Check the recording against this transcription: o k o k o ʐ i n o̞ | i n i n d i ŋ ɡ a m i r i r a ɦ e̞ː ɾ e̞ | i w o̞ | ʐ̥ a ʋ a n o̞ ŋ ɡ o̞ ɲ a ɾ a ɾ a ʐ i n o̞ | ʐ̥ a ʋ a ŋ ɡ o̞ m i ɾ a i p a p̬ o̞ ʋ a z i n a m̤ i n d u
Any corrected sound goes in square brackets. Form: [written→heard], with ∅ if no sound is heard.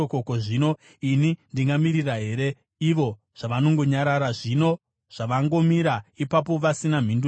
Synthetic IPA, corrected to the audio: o k o k o ʐ i n o̞ | i n i n d i ŋ ɡ a m i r i r a ɦ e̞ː ɾ e̞ | i [w→ʋ] o̞ | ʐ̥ a ʋ a n o̞ ŋ ɡ o̞ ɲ a ɾ a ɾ a ʐ i n o̞ | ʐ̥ a ʋ a ŋ ɡ o̞ m i ɾ a i p a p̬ o̞ ʋ a [z→s] i n a m̤ i n d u